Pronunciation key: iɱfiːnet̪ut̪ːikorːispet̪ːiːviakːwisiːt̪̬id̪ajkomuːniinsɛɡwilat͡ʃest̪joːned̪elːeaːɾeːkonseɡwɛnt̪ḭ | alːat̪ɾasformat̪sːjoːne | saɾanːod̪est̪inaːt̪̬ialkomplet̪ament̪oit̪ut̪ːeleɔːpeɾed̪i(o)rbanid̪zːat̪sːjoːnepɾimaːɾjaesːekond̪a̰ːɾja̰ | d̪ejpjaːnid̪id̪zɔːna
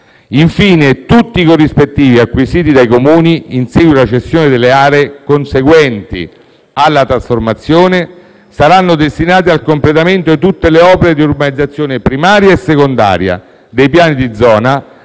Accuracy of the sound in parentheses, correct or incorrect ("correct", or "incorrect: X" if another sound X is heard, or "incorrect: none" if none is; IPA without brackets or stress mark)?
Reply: incorrect: u